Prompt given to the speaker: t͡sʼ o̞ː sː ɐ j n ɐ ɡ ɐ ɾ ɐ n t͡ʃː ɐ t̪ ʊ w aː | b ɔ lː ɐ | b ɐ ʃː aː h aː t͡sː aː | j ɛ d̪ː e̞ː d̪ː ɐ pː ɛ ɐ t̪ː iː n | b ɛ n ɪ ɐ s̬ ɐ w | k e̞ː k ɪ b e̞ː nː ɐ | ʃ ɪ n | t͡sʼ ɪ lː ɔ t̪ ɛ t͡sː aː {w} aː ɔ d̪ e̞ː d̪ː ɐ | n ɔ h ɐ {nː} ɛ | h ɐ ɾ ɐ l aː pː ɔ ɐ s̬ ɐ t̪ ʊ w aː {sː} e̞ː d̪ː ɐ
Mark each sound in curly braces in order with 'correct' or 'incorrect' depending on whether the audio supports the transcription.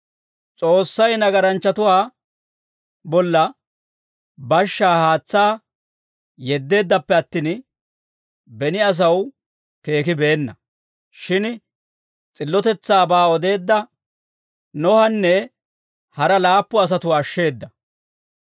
incorrect: b, correct, incorrect: ʃː

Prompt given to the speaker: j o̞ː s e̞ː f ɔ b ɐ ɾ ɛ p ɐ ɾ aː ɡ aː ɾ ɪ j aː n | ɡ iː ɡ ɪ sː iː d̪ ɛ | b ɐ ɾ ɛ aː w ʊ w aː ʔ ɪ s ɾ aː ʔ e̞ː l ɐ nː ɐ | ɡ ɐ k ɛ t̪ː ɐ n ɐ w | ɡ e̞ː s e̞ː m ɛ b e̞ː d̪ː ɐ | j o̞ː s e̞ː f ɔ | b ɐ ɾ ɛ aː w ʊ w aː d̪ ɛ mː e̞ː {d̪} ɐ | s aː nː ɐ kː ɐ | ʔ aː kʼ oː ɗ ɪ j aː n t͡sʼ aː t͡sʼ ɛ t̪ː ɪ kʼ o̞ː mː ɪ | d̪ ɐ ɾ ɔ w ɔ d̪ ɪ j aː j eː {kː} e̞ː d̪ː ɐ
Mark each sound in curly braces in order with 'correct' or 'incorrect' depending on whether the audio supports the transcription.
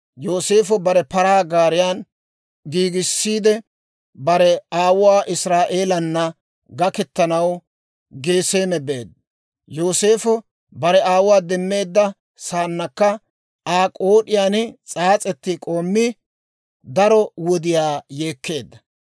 incorrect: d̪ː, correct

